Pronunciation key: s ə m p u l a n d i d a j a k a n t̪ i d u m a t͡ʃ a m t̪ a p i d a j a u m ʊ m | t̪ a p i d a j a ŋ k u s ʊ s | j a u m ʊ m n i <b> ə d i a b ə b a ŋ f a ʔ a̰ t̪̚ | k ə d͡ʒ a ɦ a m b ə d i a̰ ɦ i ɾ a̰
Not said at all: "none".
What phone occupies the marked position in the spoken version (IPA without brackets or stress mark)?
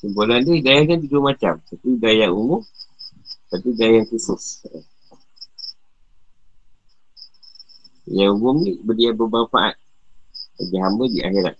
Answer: b